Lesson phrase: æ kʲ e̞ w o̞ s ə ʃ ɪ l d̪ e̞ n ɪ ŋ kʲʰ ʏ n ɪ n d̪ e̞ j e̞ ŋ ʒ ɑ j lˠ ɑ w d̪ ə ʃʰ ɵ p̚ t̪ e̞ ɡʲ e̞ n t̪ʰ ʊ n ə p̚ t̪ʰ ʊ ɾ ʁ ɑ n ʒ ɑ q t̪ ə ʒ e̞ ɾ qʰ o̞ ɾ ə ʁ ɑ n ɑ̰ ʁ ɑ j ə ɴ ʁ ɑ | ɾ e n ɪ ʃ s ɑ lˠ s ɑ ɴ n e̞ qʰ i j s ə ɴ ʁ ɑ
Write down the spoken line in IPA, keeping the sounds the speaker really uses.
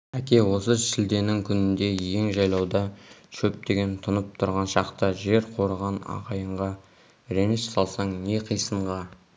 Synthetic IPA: æ kʲ e̞ w o̞ s ə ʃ ɪ l d̪ e̞ n ɪ ŋ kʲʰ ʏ n ɪ n d̪ e̞ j e̞ ŋ ʒ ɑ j lˠ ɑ w d̪ ɑ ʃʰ ɵ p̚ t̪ e̞ ɡʲ e̞ n t̪ʰ ʊ n ə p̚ t̪ʰ ʊ ɾ ʁ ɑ n ʃ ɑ q t̪ ə ʒ e̞ ɾ qʰ o̞ ɾ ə ʁ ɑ n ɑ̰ ʁ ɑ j ə ɴ ʁ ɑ | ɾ e n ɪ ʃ s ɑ lˠ s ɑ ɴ n e̞ qʰ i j s ə ɴ ʁ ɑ